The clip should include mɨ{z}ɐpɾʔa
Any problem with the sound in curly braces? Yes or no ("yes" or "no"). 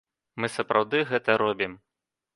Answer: yes